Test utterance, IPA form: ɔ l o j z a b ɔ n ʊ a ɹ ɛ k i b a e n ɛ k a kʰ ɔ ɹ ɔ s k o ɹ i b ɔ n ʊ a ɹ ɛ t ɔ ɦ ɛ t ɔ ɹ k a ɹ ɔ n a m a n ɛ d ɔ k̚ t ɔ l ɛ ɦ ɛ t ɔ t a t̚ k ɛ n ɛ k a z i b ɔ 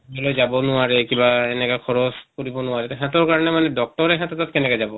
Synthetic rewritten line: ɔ l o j z a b ɔ n ʊ a ɹ ɛ k i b a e n ɛ k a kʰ ɔ ɹ ɔ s k o ɹ i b ɔ n ʊ a ɹ ɛ t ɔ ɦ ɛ t ɔ ɹ k a ɹ ɔ n ɛ m a n ɛ d ɔ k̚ t ɔ ɹ ɛ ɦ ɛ t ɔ t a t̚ k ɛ n ɛ k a z a b ɔ